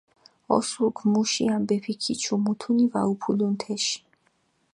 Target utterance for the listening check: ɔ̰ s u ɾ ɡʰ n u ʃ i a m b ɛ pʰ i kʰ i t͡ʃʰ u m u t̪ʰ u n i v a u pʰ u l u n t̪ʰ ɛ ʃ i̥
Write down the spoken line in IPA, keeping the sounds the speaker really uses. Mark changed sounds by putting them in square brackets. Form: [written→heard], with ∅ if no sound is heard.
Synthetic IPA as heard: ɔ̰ s u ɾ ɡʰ [n→m] u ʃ i a m b ɛ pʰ i kʰ i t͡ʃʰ u m u t̪ʰ u n i v a u pʰ u l u n t̪ʰ ɛ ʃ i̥